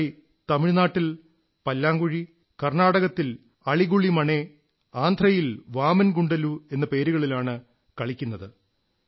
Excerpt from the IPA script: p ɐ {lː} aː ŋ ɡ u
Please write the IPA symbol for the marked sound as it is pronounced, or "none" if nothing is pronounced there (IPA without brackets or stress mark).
lː